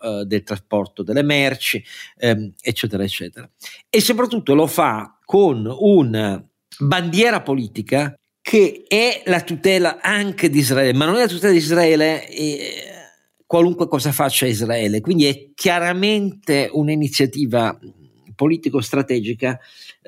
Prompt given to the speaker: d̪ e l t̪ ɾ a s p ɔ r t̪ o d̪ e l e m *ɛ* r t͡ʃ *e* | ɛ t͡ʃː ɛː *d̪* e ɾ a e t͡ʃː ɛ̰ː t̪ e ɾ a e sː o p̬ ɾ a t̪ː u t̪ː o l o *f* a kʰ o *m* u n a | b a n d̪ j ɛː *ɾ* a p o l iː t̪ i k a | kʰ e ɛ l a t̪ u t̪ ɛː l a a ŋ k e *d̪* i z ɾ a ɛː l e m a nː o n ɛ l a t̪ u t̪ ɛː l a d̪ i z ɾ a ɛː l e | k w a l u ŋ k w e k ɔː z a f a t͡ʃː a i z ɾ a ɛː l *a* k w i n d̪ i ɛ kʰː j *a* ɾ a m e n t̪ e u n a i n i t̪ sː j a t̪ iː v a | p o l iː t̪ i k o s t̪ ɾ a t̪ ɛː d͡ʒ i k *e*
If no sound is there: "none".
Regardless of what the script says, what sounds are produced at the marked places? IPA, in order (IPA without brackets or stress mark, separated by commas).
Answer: ɛ, i, t̪, f, n, ɾ, d̪, e, a, a